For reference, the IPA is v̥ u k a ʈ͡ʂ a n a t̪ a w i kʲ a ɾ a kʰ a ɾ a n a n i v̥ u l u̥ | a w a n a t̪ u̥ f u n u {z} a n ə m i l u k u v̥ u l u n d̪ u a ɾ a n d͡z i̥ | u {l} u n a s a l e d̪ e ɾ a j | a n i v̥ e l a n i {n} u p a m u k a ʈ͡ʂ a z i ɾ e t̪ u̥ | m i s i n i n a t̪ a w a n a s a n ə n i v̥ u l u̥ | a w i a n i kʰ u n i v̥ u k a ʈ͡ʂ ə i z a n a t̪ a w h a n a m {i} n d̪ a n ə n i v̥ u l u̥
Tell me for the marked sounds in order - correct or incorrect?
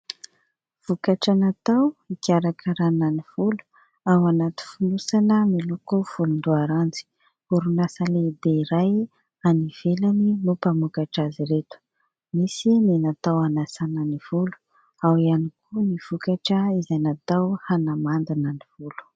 incorrect, incorrect, correct, incorrect

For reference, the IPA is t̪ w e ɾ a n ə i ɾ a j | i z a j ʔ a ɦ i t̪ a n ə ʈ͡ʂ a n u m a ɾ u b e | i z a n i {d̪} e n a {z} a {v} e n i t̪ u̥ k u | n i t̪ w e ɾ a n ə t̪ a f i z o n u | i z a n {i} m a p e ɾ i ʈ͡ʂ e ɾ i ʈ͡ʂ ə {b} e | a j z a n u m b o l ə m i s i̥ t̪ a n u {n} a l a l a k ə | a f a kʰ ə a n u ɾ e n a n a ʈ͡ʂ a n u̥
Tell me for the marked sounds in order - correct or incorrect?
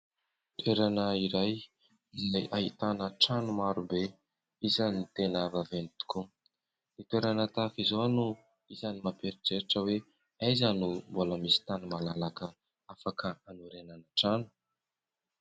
incorrect, incorrect, correct, correct, incorrect, incorrect

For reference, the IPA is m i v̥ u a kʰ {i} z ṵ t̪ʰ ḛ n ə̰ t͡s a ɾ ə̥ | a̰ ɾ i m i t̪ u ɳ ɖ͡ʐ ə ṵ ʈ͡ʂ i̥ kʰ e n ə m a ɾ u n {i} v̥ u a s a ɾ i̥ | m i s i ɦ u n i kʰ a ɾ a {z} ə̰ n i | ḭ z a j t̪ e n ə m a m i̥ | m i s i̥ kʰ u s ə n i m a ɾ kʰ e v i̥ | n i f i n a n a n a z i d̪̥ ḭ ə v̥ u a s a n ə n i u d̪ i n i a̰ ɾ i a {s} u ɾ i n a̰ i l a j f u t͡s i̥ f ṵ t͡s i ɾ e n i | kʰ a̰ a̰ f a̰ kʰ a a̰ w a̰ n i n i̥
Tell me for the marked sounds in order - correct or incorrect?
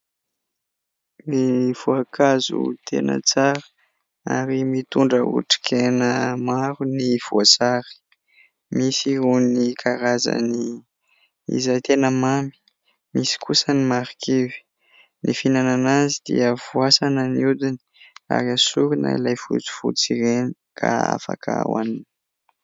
incorrect, correct, correct, correct

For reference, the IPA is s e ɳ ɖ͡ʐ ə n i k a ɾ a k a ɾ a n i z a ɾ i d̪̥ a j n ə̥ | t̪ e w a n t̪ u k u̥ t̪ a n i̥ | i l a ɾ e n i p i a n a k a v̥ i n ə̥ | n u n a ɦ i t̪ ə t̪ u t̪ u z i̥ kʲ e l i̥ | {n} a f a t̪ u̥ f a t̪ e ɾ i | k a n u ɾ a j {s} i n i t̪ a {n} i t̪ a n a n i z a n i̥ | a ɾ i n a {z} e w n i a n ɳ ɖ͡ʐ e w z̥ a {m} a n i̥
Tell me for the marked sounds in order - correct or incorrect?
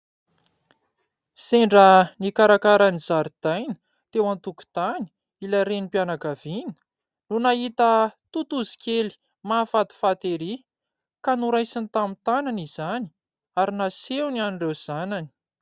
incorrect, correct, incorrect, incorrect, incorrect

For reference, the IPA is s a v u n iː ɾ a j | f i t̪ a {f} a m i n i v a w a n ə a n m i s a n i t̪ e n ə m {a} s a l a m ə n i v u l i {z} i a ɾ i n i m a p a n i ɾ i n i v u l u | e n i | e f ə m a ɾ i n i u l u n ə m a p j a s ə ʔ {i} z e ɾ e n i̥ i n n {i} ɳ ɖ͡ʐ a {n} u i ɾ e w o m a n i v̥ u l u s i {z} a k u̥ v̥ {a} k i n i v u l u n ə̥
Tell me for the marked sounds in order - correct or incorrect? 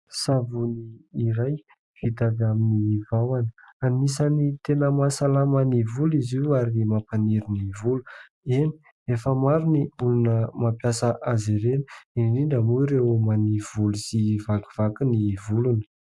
incorrect, correct, correct, incorrect, correct, incorrect, incorrect, correct

